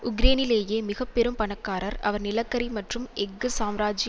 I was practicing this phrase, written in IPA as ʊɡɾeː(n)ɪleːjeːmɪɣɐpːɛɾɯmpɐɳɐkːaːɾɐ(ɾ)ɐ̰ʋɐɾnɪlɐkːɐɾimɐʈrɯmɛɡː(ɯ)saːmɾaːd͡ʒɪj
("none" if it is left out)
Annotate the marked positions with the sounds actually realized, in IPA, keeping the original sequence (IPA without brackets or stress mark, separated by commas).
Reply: n, ɾ, ɯ